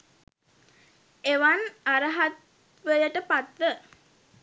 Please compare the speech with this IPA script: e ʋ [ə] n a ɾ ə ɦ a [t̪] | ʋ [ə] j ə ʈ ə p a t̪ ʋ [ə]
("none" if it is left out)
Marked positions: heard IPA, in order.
a, t̪, ə, ə

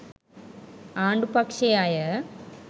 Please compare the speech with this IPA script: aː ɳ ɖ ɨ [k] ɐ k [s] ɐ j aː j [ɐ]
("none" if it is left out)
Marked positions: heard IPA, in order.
p, ʂ, ɐ

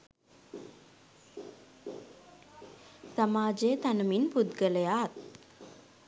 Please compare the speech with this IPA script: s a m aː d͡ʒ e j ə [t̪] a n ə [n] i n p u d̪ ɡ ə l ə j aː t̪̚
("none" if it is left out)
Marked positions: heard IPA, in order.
t̪, m

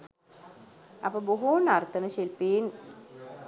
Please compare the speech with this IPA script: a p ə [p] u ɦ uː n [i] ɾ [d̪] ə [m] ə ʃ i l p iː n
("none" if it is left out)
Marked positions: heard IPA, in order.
b, a, t̪, n

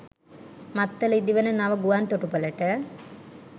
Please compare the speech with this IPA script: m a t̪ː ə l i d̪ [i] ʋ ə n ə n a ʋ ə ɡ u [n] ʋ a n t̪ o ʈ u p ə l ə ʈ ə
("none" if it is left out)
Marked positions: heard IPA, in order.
i, none

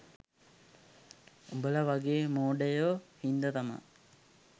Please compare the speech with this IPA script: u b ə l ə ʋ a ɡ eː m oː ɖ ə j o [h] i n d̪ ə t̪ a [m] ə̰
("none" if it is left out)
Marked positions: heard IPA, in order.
h, m

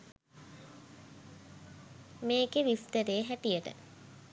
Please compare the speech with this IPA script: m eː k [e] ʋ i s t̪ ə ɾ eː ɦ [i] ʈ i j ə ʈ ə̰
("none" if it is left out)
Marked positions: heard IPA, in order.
e, æ

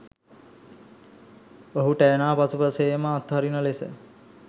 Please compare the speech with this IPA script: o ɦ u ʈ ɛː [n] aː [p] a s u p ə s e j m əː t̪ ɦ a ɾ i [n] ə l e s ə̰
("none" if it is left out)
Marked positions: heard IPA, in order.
n, p, n

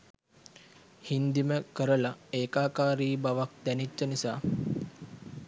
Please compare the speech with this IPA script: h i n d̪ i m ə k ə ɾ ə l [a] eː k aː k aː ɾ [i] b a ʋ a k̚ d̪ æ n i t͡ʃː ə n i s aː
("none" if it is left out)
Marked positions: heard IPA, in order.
a, iː

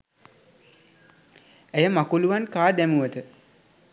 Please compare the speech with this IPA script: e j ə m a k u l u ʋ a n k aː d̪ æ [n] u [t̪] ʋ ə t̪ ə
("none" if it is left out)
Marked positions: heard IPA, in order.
m, none

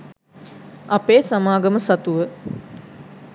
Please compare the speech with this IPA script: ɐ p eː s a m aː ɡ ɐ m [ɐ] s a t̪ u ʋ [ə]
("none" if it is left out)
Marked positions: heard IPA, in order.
ə, ə

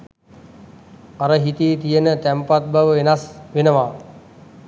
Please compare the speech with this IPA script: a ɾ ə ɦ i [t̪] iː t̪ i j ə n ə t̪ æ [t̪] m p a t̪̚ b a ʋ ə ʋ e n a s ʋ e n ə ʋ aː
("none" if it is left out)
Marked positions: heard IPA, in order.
t̪, none

